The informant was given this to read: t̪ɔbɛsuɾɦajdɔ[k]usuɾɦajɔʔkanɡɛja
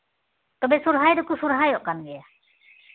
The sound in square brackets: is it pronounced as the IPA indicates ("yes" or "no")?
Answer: yes